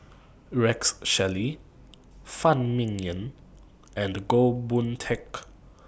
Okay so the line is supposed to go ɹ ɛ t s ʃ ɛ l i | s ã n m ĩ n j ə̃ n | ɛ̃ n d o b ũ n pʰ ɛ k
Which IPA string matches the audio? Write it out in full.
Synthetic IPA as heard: ɹ ɛ k s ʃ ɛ l i | f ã n m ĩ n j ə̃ n | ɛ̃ n ɡ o b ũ n tʰ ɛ k